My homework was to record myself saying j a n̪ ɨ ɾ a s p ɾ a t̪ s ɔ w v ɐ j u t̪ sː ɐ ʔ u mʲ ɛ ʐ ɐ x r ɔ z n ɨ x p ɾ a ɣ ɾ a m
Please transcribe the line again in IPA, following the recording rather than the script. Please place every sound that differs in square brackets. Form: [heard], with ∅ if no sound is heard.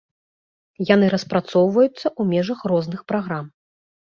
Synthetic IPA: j a n̪ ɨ ɾ [ɐ] s p ɾ a t̪ s ɔ w v ɐ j u t̪ sː ɐ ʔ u mʲ ɛ ʐ ɐ x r ɔ z n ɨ x p ɾ a ɣ ɾ a m